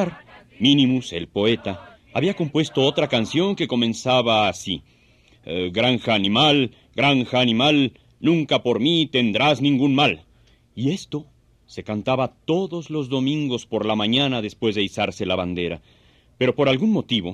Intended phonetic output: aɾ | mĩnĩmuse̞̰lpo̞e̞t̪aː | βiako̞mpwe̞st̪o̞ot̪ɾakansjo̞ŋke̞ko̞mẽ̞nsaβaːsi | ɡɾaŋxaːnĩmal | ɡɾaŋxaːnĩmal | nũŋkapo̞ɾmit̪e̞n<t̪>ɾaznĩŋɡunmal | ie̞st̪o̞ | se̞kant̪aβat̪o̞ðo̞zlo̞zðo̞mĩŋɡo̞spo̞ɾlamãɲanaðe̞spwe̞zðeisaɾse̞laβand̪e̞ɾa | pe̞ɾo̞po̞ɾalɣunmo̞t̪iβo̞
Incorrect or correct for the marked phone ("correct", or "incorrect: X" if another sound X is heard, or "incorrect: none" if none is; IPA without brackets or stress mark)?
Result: incorrect: d̪